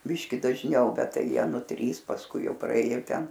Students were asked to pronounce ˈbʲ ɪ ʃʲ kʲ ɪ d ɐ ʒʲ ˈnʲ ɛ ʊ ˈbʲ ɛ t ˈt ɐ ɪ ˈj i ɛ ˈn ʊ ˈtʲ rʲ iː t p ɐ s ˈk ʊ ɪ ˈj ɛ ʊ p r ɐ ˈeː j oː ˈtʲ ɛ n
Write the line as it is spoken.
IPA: ˈbʲ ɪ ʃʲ kʲ ɪ d ɐ ʒʲ ˈnʲ ɛ ʊ ˈbʲ ɛ t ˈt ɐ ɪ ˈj i ɛ ˈn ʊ ˈtʲ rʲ iː s p ɐ s ˈk ʊ ɪ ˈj ɛ ʊ p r ɐ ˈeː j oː ˈtʲ ɛ n